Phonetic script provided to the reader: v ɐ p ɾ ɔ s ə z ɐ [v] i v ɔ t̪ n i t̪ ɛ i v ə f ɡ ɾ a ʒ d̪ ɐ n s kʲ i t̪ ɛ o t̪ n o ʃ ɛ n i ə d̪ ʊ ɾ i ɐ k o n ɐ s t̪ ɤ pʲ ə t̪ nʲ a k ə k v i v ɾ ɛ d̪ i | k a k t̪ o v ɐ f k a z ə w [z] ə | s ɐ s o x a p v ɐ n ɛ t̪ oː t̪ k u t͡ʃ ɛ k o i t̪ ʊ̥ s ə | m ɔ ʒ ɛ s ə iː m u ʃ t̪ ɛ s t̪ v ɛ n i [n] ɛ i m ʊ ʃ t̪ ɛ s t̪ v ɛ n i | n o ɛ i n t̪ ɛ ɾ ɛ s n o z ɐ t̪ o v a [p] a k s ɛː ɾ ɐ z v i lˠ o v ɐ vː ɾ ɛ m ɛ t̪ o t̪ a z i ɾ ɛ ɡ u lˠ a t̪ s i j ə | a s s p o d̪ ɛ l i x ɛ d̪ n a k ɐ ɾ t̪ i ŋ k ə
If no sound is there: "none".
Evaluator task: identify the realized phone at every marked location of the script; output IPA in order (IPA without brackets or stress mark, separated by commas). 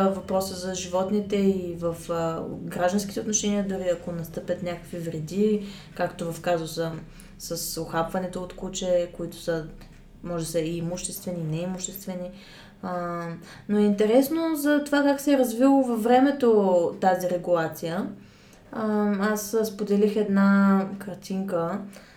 ʒ, s, n, k